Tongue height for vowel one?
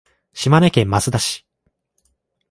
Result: high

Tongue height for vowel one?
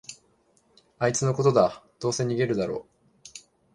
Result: low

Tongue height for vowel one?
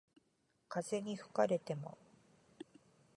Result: low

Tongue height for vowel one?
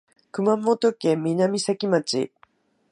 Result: high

